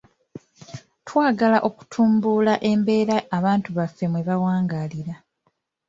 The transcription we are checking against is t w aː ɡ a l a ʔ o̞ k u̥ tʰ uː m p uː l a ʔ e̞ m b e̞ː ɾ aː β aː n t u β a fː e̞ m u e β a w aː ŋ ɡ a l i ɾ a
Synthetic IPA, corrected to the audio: t w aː ɡ a l a ʔ o̞ k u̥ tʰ uː m b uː l a ʔ e̞ m b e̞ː ɾ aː β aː n t u β a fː e̞ m w e β a w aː ŋ ɡ a l i ɾ a